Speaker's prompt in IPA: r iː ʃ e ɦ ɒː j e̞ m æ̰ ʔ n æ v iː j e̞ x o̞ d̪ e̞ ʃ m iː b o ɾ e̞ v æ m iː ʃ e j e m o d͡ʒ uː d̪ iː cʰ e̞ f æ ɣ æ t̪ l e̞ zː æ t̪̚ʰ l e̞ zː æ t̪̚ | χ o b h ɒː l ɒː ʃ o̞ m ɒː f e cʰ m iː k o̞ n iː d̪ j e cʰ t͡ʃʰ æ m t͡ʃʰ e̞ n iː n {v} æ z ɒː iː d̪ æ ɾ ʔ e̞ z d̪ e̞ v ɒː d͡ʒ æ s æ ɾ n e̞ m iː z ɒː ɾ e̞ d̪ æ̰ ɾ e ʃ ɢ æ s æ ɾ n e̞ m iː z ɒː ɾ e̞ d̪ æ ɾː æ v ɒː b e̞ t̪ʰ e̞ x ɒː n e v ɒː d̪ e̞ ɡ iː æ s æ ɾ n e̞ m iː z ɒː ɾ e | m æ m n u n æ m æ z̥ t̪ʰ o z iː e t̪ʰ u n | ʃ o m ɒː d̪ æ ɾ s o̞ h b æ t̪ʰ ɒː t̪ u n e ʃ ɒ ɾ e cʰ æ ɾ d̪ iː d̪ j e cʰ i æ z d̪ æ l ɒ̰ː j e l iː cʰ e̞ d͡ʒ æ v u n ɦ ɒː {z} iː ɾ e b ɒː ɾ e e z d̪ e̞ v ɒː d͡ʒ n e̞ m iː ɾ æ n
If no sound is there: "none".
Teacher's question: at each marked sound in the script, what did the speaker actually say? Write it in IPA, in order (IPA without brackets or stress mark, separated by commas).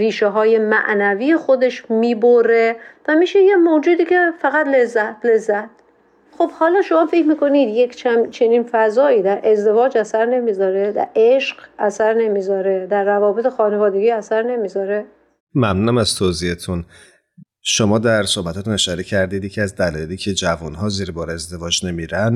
f, z